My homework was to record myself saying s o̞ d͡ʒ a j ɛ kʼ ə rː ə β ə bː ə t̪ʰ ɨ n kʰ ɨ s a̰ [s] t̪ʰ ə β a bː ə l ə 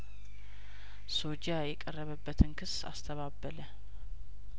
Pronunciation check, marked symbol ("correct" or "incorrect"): correct